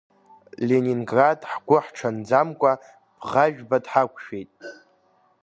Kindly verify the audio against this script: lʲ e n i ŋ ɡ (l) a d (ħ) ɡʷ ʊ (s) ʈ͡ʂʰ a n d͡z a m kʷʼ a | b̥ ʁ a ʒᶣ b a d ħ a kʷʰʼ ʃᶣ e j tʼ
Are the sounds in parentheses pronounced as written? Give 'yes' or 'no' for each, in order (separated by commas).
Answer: no, yes, no